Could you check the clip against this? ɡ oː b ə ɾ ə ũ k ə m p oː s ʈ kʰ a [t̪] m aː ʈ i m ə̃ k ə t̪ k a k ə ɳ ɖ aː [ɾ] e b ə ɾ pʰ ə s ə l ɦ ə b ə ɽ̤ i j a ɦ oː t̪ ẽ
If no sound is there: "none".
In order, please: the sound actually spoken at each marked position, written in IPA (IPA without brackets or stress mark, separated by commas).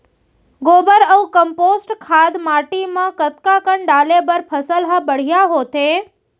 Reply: d̪, l